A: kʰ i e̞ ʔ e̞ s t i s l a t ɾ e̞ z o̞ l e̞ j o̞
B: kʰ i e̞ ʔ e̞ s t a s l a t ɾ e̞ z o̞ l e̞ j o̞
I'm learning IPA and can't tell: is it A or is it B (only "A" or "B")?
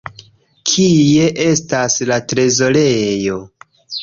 B